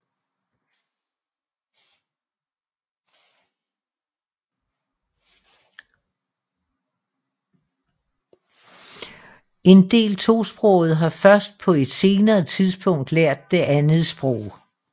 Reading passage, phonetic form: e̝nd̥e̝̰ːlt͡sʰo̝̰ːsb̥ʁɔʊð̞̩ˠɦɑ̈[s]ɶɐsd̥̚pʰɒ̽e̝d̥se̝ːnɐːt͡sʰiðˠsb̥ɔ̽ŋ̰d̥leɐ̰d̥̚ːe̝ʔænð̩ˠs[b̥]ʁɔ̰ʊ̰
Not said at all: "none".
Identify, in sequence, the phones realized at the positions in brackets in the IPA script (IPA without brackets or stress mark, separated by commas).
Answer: f, b̥